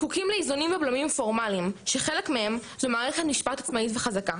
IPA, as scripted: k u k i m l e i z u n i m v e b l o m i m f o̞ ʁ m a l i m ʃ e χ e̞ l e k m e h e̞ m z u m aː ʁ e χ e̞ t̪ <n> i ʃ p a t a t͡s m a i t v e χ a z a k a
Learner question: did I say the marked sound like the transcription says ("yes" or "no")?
yes